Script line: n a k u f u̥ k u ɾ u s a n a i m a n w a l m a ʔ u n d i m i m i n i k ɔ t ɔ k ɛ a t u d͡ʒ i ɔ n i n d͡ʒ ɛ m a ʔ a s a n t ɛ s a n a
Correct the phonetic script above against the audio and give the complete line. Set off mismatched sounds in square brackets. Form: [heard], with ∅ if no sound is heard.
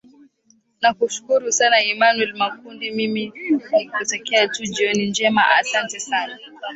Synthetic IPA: n a k u [ʃ] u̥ k u ɾ u s a n a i m a n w [ɛ] l m a [k] u n d i m i m i n i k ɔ t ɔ k ɛ a t u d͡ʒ i ɔ n i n d͡ʒ ɛ m a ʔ a s a n t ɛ s a n a